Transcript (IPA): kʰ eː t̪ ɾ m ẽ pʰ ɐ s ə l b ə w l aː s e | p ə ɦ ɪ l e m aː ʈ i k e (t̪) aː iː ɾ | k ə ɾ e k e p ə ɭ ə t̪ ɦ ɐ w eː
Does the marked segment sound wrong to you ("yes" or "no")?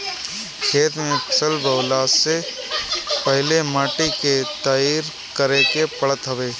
no